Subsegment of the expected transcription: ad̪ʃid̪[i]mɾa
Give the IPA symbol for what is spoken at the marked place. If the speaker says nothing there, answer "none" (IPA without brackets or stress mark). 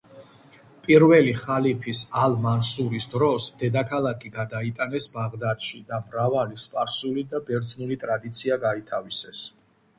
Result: a